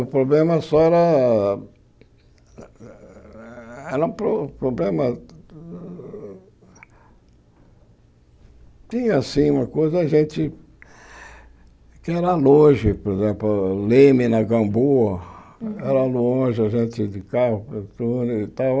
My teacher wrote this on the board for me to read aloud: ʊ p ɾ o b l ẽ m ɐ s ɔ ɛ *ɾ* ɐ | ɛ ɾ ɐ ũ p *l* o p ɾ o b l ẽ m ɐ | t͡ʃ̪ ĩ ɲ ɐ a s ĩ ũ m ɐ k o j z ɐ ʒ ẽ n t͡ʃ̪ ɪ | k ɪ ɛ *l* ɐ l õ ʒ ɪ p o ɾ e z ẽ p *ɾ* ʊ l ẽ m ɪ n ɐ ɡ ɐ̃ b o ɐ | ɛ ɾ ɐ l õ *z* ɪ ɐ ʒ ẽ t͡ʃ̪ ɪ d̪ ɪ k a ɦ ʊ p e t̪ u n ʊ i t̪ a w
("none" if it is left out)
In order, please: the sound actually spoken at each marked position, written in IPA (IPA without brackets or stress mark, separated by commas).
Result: ɾ, ɾ, ɾ, l, ʒ